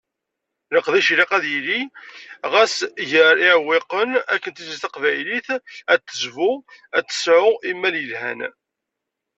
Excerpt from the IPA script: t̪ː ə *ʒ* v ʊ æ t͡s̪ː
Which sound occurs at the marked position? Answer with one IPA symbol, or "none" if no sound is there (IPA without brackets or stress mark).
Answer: z